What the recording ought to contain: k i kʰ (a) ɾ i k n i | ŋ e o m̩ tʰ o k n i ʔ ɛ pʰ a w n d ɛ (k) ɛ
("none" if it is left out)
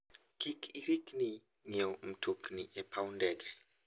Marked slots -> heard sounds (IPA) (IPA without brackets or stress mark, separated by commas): i, ɡ